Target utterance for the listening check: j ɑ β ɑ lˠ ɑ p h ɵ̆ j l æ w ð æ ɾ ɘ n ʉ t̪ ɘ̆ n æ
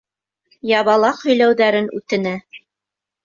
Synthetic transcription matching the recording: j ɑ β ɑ lˠ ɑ q h ɵ̆ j l æ w ð æ ɾ ɘ n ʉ t̪ ɘ̆ n æ